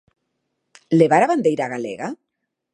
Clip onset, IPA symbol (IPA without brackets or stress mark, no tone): l